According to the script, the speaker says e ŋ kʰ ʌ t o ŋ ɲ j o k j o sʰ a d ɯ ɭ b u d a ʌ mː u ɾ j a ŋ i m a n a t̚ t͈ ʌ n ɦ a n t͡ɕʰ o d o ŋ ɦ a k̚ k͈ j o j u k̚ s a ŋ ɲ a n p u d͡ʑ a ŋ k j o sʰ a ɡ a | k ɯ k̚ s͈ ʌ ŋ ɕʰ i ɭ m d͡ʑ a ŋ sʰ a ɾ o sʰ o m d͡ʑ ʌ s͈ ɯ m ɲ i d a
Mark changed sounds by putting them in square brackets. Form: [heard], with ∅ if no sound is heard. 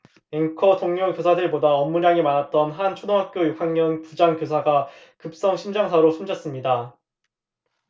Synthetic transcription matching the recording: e ŋ kʰ ʌ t o ŋ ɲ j o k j o sʰ a d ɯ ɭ b [o] d a ʌ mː u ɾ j a ŋ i m a n a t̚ t͈ ʌ n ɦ a n t͡ɕʰ o d o ŋ ɦ a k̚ k͈ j o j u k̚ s a ŋ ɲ [ʌ] n p u d͡ʑ a ŋ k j o sʰ a ɡ a | k ɯ [p̚] s͈ ʌ ŋ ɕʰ i [∅] m d͡ʑ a ŋ sʰ a ɾ o sʰ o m d͡ʑ ʌ s͈ ɯ m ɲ i d a